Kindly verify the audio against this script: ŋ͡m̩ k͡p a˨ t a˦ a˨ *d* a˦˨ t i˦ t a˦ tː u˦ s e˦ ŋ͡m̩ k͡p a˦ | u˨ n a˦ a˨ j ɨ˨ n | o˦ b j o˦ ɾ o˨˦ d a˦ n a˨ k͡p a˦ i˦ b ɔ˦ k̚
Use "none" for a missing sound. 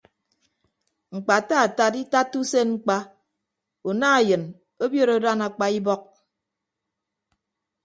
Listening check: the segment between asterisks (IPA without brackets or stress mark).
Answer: t